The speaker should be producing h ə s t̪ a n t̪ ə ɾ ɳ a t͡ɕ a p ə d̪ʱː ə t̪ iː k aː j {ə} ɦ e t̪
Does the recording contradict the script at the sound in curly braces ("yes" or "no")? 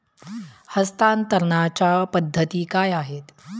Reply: yes